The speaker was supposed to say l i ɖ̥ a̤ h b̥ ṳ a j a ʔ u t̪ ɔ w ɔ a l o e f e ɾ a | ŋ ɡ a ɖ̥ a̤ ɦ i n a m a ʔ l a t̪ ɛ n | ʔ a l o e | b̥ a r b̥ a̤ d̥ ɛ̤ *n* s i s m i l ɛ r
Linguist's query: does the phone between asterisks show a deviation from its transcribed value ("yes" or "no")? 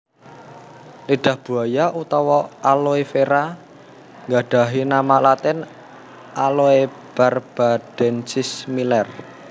no